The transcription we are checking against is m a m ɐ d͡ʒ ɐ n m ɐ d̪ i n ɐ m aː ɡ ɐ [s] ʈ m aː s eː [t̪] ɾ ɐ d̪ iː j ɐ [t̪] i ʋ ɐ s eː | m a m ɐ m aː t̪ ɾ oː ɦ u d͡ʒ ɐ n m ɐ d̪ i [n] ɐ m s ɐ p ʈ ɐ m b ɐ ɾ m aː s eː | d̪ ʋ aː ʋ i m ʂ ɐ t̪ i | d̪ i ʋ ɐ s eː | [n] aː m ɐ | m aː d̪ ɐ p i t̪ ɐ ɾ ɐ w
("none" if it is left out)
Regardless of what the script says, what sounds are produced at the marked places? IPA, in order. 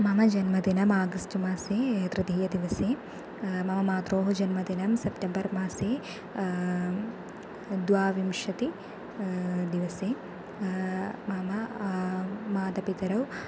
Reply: s, t̪, d̪, n, m

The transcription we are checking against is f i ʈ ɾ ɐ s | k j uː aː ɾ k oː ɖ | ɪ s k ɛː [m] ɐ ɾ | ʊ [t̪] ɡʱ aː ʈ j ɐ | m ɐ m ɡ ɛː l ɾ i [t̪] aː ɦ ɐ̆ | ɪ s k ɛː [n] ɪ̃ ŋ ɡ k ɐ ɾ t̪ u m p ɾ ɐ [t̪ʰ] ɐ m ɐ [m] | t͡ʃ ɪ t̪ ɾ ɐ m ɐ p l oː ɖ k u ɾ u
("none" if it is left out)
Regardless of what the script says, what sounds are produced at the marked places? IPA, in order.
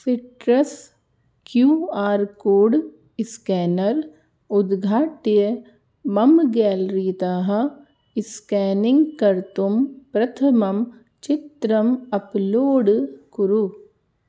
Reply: n, d̪, t̪, n, t̪ʰ, m

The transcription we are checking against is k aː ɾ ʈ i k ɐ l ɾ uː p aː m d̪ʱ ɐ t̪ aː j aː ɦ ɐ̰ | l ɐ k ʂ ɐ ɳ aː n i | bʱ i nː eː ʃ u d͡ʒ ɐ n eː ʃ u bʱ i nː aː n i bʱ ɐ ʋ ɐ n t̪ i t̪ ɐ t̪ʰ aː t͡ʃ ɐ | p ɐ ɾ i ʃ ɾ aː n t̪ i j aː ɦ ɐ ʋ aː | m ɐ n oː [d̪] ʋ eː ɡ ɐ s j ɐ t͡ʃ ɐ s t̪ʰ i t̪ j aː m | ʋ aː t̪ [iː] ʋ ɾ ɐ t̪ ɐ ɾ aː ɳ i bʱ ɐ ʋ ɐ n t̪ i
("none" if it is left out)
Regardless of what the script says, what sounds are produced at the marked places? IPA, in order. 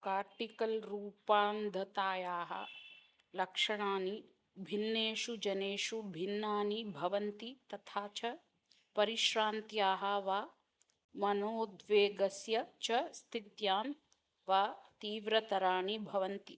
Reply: d̪, iː

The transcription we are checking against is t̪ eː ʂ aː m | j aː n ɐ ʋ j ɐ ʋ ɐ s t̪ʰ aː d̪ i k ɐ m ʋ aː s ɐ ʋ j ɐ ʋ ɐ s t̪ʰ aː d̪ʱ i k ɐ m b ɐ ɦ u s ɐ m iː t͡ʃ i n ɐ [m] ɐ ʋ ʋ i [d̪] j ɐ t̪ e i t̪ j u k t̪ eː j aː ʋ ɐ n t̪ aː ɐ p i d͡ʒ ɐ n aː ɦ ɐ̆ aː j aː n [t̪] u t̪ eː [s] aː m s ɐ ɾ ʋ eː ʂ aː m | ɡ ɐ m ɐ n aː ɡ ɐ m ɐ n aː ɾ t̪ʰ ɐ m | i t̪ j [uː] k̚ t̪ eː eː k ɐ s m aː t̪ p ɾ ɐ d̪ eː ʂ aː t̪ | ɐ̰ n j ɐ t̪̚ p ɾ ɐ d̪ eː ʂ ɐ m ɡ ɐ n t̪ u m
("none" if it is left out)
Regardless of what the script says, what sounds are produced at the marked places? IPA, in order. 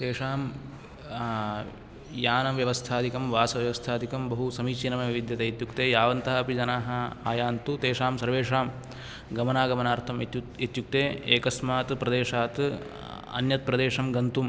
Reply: m, d̪, t̪, ʂ, u

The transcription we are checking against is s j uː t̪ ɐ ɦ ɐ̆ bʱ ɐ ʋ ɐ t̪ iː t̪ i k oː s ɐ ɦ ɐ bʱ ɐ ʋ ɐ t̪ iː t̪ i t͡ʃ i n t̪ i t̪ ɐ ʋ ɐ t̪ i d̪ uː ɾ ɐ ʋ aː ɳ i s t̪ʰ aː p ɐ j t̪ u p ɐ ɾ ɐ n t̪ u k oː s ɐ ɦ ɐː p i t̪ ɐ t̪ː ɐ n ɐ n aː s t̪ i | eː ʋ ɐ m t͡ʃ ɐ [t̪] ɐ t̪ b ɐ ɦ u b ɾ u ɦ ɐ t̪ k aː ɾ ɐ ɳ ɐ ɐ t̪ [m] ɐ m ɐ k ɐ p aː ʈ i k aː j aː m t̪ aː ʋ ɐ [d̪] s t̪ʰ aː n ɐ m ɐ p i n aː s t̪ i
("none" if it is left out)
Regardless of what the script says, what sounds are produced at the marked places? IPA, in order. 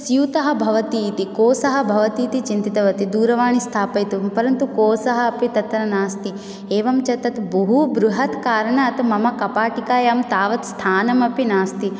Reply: t̪, m, t̪

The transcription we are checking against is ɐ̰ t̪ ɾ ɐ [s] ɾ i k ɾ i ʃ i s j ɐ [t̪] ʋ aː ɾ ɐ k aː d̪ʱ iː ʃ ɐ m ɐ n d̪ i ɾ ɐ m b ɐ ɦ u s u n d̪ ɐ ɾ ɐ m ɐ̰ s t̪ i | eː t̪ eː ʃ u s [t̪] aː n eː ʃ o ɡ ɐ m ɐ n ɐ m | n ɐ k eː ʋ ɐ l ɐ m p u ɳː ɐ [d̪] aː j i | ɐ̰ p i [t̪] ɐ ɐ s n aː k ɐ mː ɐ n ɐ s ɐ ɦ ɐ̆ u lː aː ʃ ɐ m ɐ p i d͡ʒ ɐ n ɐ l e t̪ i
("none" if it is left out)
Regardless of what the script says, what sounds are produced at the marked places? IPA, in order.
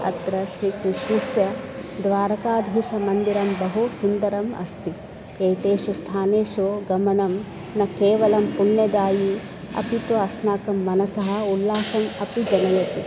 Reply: ʃ, d̪, t̪ʰ, d̪, t̪

